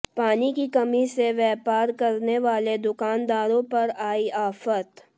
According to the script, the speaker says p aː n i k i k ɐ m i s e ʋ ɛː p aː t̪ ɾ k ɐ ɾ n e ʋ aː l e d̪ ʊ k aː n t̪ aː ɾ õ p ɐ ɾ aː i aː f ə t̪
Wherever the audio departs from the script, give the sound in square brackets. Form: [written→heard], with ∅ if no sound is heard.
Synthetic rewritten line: p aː n i k i k ɐ m i s e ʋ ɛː p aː [t̪→∅] ɾ k ɐ ɾ n e ʋ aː l e d̪ ʊ k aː n [t̪→d̪] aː ɾ õ p ɐ ɾ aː i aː f ə t̪

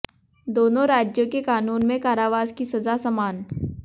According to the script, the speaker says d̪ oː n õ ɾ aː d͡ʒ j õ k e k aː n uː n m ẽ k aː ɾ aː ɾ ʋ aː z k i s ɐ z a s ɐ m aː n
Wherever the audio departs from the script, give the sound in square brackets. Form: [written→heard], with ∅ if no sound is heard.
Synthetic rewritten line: d̪ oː n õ ɾ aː d͡ʒ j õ k e k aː n uː n m ẽ k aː ɾ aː [ɾ→∅] ʋ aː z k i s ɐ z a s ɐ m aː n

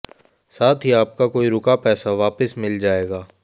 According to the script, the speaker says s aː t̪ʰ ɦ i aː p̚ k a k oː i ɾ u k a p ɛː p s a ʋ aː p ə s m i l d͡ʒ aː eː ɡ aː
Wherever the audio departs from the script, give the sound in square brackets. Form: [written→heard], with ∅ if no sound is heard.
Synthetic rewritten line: s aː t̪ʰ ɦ i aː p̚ k a k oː i ɾ [u→ʊ] k a p ɛː [p→∅] s a ʋ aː p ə s m [i→ɪ] l d͡ʒ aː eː ɡ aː

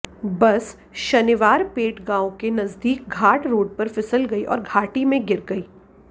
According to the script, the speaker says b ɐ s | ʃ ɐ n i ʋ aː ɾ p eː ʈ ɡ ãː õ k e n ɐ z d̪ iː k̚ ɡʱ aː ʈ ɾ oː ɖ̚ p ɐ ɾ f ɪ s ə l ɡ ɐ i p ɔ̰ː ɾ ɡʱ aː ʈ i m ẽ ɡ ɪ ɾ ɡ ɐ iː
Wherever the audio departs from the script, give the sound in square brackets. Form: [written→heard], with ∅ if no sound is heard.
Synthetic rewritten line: b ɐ s | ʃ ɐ n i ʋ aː ɾ p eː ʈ ɡ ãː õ k e n ɐ z d̪ iː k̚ ɡʱ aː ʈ ɾ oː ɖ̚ p ɐ ɾ f ɪ s ə l ɡ ɐ i [p→ʔ] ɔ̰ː ɾ ɡʱ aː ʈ i m ẽ ɡ ɪ ɾ ɡ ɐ iː

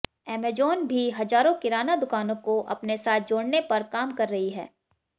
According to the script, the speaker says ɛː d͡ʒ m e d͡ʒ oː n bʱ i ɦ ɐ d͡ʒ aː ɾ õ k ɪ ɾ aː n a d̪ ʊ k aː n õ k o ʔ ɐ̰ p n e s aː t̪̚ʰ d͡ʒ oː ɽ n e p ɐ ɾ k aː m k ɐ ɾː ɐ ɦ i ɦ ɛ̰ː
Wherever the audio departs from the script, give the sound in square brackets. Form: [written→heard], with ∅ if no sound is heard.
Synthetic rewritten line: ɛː [d͡ʒ→∅] m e d͡ʒ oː n bʱ i ɦ ɐ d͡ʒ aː ɾ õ k ɪ ɾ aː n a d̪ ʊ k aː n õ k o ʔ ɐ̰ p n e s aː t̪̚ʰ d͡ʒ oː ɽ n e p ɐ ɾ k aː m k ɐ ɾː ɐ ɦ i ɦ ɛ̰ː

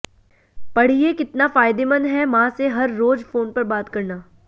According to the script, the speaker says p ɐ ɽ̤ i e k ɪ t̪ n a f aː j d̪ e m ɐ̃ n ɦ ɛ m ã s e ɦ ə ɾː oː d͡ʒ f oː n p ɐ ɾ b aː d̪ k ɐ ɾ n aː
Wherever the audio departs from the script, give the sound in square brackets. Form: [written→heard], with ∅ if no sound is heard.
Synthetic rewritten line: p ɐ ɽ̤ i e k ɪ t̪ n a f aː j d̪ e m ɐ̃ n ɦ ɛ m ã s e ɦ [ə→ɐ] ɾː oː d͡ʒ f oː n p ɐ ɾ b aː [d̪→t̪] k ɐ ɾ n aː

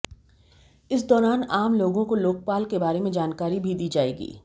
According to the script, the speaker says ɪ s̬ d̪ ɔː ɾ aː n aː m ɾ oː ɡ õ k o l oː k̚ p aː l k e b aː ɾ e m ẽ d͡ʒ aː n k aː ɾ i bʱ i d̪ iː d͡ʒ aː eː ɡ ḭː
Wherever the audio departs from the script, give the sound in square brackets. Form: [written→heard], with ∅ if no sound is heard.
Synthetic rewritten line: ɪ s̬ d̪ ɔː ɾ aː n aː m [ɾ→l] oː ɡ õ k o l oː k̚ p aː l k e b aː ɾ e m ẽ d͡ʒ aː n k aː ɾ i bʱ i d̪ iː d͡ʒ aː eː ɡ ḭː

